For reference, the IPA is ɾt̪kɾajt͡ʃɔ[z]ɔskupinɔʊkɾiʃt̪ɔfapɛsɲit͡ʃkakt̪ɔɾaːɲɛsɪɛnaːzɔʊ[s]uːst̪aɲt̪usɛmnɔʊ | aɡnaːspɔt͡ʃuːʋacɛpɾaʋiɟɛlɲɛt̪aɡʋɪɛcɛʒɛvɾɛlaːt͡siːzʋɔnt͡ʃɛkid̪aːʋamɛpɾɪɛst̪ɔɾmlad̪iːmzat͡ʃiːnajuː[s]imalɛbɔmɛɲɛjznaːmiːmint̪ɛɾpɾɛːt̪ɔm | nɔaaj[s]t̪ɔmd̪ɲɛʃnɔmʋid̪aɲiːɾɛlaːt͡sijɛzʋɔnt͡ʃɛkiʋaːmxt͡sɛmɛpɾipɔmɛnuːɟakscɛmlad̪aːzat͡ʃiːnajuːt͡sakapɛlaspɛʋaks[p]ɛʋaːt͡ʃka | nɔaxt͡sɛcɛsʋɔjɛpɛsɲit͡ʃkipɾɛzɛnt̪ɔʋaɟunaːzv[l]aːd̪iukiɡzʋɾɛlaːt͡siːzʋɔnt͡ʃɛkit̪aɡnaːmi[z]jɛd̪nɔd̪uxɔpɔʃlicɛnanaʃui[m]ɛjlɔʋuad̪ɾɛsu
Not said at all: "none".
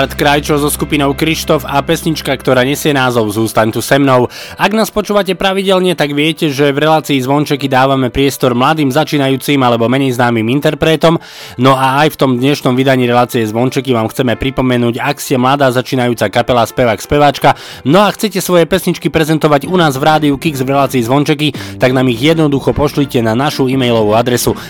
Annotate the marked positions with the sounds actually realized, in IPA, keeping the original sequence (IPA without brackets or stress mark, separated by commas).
z, z, t͡s, f, p, ɾ, ɣ, m